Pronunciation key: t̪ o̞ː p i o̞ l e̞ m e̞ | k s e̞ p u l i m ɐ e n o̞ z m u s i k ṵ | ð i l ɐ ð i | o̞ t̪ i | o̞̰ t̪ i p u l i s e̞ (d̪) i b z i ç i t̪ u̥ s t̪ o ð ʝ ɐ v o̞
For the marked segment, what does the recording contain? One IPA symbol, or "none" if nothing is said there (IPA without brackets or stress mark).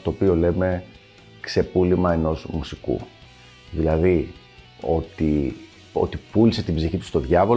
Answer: t̪